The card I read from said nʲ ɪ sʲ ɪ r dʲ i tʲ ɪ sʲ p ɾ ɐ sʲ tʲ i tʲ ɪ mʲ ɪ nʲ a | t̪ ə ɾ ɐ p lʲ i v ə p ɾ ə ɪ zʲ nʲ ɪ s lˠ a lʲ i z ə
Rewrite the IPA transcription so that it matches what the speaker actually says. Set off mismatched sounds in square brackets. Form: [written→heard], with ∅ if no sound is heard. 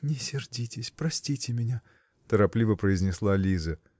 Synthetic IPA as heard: nʲ ɪ sʲ ɪ r dʲ i tʲ ɪ sʲ p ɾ ɐ sʲ tʲ i tʲ ɪ mʲ ɪ nʲ a | t̪ ə ɾ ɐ p lʲ i v ə p ɾ ə ɪ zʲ nʲ ɪ s lˠ a lʲ i z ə